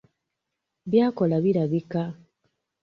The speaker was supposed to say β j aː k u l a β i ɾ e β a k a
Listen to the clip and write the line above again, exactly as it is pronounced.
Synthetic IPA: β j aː k o l a β i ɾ a β i k a

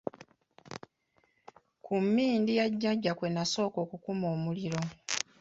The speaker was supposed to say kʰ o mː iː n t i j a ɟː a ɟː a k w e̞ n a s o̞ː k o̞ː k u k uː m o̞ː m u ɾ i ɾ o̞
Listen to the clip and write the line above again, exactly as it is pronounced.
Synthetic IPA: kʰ u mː iː n d i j a ɟː a ɟː a k w e̞ n a s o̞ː k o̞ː k u k u m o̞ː m u l i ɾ o̞

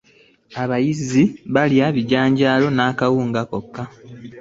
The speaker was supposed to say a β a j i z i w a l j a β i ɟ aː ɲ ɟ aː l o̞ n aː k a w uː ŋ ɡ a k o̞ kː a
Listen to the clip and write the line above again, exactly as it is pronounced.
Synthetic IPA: a β a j i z i β a l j a β i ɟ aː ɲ ɟ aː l o̞ n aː k a w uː ŋ ɡ a k o̞ kː a

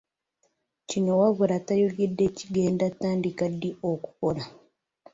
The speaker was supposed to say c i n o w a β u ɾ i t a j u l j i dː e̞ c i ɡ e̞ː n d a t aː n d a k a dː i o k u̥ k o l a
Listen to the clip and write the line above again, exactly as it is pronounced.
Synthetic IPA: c i n o w a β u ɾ a t a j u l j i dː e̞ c i ɡ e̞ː n d a t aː n d i k a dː i o k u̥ k o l a

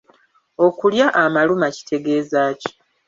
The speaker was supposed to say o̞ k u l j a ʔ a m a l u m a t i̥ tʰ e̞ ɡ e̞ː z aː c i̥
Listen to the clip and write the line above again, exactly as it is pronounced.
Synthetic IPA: o̞ k u l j a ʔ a m a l u m a c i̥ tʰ e̞ ɡ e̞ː z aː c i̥

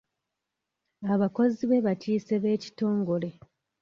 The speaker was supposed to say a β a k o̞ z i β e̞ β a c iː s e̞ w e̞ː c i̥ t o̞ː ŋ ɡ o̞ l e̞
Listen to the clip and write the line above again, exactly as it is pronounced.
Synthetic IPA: a β a k o̞ z i β e̞ β a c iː s e̞ β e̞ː c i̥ t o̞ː ŋ ɡ o̞ l e̞

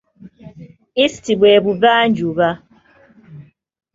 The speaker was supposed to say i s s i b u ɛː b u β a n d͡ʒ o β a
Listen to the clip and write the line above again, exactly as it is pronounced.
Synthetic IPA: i s t i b w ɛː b u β a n d͡ʒ u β a

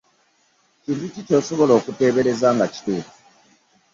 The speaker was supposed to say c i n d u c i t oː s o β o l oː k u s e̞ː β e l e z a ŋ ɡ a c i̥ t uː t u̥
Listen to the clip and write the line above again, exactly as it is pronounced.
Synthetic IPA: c i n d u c i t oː s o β o l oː k u t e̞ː β e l e z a ŋ ɡ a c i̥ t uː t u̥

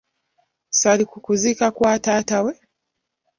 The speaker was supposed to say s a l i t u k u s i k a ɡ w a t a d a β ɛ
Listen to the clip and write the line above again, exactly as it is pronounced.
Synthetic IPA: s a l i k u k u z i k a k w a t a t a w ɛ

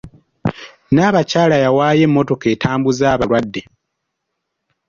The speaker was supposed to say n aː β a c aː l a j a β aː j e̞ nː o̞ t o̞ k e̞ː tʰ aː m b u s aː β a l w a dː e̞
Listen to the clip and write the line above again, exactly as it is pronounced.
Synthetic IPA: n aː β a c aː l a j a w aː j e̞ mː o̞ t o̞ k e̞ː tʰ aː m b u z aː β a l w a dː e̞

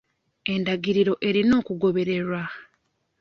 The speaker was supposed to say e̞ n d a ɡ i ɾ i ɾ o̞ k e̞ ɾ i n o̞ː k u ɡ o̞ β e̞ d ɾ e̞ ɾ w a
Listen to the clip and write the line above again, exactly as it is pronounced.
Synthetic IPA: e̞ n d a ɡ i ɾ i ɾ o̞ ʔ e̞ ɾ i n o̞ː k u ɡ o̞ β e̞ ɾ e̞ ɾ w a

